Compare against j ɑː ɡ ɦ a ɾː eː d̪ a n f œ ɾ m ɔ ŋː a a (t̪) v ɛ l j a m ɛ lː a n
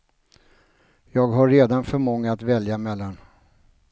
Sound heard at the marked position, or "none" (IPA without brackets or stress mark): t̪